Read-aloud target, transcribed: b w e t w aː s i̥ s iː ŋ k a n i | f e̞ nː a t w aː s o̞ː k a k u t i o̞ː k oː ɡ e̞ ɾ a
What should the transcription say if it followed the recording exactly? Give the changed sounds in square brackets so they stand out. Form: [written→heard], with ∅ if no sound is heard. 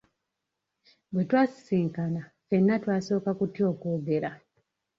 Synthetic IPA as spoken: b w e t w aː s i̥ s iː ŋ k a n [i→a] | f e̞ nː a t w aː s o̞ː k a k u t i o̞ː k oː ɡ e̞ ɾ a